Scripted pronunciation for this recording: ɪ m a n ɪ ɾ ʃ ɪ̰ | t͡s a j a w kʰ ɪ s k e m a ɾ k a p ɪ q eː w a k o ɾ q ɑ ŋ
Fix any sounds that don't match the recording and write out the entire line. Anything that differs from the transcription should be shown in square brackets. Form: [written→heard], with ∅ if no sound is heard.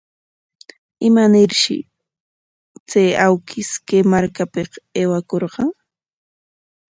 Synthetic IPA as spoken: ɪ m a n ɪ ɾ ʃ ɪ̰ | t͡s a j a w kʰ ɪ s k e m a ɾ k a p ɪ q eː w a k o ɾ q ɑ ŋ